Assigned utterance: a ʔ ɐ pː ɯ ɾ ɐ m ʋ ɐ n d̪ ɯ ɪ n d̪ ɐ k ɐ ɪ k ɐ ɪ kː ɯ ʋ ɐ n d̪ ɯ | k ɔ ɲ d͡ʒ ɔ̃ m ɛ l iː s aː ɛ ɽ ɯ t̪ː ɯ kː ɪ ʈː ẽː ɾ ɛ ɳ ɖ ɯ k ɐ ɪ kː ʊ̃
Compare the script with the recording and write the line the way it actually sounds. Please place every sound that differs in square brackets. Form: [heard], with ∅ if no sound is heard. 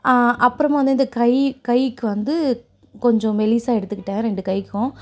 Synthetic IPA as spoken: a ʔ ɐ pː ɯ ɾ ɐ m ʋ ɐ n d̪ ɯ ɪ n d̪ ɐ k ɐ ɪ k ɐ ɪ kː ɯ ʋ ɐ n d̪ ɯ | k ɔ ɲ d͡ʒ ɔ̃ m ɛ l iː s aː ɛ ɽ ɯ t̪ː ɯ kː ɪ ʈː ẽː ɾ ɛ ɳ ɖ ɯ k ɐ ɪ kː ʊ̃